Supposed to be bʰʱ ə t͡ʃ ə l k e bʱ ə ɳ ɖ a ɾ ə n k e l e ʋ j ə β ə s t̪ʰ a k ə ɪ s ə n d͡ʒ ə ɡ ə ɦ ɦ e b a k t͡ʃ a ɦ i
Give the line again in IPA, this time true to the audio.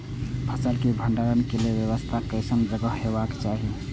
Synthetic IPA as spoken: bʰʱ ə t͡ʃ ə l k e bʱ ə ɳ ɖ a ɾ ə n k e l e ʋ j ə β ə s t̪ʰ a k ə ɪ s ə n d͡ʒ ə ɡ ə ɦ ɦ e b a k t͡ʃ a ɦ i